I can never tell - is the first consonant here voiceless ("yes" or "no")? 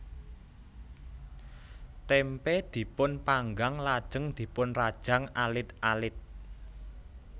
yes